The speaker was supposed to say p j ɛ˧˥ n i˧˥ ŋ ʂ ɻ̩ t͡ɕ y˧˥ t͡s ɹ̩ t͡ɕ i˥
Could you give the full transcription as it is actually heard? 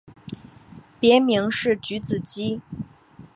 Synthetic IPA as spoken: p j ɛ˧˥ m i˧˥ ŋ ʂ ɻ̩ t͡ɕ y˧˥ t͡s ɹ̩ t͡ɕ i˥